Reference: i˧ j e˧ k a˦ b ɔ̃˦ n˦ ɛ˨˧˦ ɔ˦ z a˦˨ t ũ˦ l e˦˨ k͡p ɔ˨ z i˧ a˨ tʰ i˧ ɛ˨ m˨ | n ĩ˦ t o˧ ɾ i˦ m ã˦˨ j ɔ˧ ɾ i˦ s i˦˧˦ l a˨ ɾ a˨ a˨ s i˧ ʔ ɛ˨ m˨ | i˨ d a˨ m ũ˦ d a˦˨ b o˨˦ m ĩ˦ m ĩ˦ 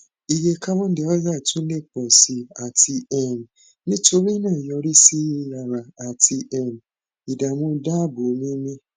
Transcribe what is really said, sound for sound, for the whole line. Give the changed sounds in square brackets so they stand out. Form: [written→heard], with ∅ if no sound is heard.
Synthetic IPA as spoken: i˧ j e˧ k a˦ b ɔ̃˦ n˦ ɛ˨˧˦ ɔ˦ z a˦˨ t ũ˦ l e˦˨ k͡p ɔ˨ [z→s] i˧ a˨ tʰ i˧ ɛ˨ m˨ | n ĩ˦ t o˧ ɾ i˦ [m→n] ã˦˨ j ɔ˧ ɾ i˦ s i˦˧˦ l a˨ ɾ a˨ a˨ [s→t] i˧ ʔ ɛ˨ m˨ | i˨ d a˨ m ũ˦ d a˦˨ b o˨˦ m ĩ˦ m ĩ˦